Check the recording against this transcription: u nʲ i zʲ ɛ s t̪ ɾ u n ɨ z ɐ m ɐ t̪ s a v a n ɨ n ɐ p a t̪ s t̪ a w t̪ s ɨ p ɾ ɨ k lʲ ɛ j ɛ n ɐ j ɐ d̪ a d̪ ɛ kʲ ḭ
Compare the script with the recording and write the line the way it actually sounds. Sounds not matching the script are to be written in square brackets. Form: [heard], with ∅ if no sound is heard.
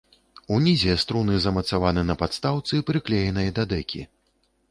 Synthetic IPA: u nʲ i zʲ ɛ s t̪ ɾ u n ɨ z ɐ m ɐ t̪ s a v a n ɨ n ɐ p a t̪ s t̪ a w t̪ s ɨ p ɾ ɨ k lʲ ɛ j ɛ n ɐ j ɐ d̪ a d̪ ɛ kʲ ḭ